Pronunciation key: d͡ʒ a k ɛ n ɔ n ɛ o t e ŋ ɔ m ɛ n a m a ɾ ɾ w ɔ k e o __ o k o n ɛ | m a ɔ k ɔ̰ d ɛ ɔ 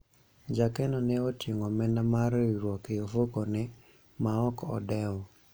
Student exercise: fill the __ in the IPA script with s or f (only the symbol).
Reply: f